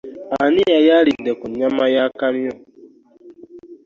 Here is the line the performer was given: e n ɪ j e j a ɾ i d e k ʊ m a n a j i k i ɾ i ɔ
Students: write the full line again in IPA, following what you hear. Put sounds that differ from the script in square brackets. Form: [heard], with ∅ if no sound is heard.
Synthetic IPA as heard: [a] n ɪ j [a] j a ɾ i d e k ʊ [ɲ] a [m] a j [a] k [a] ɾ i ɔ